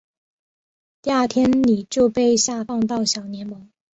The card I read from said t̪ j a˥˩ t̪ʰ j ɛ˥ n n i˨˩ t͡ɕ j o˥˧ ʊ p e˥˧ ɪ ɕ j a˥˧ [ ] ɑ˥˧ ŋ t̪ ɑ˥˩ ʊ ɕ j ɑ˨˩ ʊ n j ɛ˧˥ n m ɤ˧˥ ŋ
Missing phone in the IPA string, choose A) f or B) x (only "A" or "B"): A